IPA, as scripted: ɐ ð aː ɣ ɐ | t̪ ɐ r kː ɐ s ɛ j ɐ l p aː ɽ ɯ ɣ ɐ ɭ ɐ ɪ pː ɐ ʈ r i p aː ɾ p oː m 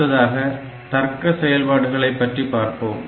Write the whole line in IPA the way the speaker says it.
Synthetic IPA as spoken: ɐ ð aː ɣ ɐ | t̪ ɐ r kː ɐ s ɛ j ɐ l p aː ɽ ɯ ɣ ɐ ɭ ɐ ɪ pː ɐ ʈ r i p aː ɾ p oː m